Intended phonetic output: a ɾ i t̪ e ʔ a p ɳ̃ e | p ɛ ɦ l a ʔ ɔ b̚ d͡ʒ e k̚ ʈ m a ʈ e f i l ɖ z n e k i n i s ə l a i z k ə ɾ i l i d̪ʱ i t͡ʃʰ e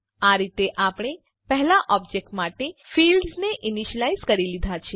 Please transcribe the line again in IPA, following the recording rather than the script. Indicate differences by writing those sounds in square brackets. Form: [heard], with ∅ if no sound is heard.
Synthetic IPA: a ɾ i t̪ e ʔ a p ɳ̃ e | p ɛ ɦ l a ʔ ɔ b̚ d͡ʒ e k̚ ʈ m a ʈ e f i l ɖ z n e [ʔ] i n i [ʃ] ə l a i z k ə ɾ i l i d̪ʱ [a] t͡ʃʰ e